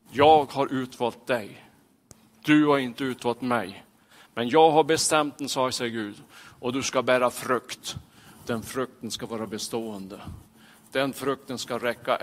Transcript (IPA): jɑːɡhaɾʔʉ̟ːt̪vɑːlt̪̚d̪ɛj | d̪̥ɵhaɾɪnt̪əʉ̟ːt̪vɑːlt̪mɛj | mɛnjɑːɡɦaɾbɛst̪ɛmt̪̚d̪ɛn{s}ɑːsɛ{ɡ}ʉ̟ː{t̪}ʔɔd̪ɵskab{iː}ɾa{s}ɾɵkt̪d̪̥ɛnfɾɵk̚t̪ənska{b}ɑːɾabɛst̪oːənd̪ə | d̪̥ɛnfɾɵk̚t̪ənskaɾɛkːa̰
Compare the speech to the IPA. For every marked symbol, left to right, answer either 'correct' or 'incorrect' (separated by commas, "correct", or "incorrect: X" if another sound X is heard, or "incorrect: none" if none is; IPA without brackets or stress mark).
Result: correct, correct, incorrect: d̪, incorrect: æː, incorrect: f, incorrect: v